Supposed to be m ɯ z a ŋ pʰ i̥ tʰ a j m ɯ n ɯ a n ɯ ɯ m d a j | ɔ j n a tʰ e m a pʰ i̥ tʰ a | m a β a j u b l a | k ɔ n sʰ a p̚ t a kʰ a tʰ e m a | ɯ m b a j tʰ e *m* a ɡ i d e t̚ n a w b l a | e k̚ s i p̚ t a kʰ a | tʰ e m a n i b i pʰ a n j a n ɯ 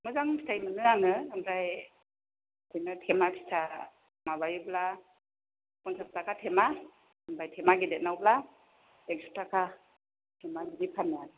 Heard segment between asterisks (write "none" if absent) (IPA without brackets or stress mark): m